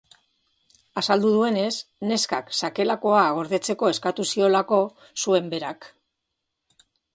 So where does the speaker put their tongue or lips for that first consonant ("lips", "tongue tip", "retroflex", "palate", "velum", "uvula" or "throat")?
tongue tip